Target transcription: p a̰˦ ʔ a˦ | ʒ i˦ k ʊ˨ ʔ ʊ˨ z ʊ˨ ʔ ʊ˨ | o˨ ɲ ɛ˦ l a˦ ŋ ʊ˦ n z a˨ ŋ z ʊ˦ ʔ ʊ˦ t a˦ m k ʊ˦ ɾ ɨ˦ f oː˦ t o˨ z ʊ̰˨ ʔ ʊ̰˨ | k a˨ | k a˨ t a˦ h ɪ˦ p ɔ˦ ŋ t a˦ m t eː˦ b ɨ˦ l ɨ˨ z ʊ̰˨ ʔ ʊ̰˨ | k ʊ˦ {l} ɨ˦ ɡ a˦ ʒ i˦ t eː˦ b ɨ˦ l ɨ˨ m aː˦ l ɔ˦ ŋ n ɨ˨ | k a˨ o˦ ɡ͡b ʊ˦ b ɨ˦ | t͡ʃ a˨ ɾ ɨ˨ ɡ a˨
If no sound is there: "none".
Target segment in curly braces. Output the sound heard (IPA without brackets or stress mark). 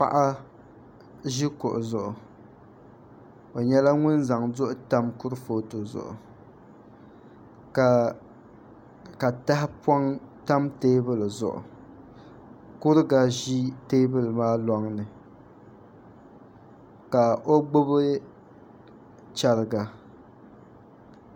ɾ